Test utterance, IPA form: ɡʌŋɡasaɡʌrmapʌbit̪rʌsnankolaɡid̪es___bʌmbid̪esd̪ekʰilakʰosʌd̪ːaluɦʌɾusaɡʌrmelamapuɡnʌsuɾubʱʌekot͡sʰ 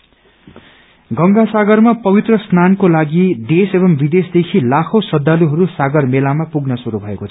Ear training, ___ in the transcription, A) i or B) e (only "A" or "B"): B